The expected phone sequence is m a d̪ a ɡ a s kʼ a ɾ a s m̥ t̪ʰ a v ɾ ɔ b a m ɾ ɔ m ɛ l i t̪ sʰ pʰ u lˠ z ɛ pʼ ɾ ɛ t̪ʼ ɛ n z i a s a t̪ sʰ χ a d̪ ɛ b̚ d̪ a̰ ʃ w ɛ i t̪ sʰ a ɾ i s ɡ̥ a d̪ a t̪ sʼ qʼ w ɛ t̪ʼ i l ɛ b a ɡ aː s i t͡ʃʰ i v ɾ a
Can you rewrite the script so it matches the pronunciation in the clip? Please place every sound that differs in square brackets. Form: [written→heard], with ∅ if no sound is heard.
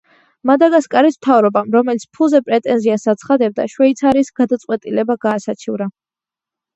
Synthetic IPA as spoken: m a d̪ a ɡ a s kʼ a ɾ [a→i] s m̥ t̪ʰ a v ɾ ɔ b a m ɾ ɔ m ɛ l i t̪ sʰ pʰ u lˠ z ɛ pʼ ɾ ɛ t̪ʼ ɛ n z i a s a t̪ sʰ χ a d̪ ɛ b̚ d̪ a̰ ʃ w ɛ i t̪ sʰ a ɾ i s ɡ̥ a d̪ a t̪ sʼ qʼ w ɛ t̪ʼ i l ɛ b a ɡ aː s [i→a] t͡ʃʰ i v ɾ a